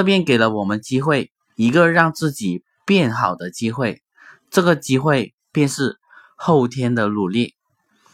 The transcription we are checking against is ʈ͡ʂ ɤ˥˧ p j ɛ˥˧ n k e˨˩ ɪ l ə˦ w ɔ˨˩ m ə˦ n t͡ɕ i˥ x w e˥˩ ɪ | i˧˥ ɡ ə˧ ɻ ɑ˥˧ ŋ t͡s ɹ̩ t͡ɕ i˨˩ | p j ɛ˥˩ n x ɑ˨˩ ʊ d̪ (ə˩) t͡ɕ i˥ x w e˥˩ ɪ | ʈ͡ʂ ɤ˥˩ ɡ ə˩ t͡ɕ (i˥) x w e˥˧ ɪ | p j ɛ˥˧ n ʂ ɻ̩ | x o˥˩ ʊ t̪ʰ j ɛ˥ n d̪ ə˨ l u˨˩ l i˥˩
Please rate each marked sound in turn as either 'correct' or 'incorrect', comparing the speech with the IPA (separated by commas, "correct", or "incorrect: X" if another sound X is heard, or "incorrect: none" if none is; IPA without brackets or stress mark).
incorrect: ə˦, correct